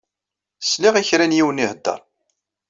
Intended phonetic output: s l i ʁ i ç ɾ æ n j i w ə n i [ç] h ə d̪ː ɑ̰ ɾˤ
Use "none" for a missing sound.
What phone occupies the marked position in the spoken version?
none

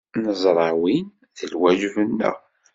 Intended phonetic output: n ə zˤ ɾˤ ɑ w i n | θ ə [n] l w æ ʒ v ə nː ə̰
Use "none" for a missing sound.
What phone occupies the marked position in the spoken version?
none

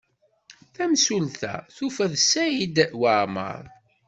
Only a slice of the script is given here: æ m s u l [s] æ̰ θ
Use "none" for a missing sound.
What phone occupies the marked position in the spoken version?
θ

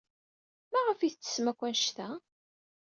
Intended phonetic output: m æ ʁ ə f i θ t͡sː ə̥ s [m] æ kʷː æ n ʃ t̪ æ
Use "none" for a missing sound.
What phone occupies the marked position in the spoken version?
m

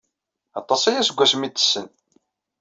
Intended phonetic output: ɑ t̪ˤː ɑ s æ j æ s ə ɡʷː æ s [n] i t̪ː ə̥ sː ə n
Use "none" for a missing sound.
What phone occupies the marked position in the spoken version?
m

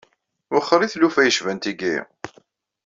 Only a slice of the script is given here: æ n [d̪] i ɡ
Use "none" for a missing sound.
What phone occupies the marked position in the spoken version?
t̪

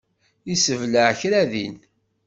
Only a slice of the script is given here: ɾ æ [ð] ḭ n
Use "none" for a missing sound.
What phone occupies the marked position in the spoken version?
ð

